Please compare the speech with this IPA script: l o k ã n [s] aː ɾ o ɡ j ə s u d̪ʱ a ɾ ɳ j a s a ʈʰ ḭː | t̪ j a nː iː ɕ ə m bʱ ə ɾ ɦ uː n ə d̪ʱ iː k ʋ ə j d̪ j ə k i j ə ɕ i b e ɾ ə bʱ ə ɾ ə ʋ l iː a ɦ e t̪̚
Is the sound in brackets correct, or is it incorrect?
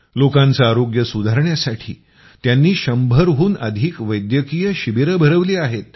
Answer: incorrect